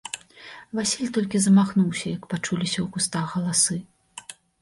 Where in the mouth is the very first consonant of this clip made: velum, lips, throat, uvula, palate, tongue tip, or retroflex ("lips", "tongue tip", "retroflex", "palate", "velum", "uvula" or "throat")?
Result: lips